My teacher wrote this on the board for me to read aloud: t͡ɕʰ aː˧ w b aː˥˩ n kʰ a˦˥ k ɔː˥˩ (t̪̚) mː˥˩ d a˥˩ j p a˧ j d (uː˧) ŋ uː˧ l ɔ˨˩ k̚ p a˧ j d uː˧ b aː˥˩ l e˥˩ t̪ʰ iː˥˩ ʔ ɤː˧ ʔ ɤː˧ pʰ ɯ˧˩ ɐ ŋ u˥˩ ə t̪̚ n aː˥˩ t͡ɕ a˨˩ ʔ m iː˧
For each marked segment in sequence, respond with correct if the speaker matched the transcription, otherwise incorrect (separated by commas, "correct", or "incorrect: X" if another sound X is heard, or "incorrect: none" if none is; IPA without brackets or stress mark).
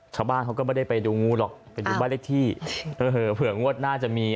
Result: incorrect: none, correct